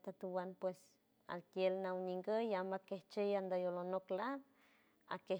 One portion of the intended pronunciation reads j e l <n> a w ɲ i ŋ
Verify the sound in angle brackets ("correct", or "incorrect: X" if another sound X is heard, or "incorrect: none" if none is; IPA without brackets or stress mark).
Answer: correct